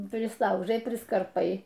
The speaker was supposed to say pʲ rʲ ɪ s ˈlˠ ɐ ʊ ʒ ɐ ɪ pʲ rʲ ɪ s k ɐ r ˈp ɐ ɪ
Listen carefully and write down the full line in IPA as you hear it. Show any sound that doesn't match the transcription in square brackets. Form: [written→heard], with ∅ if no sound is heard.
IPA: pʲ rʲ ɪ s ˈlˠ ɐ ʊ ʒ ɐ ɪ pʲ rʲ ɪ s k ɐ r ˈp ɐ ɪ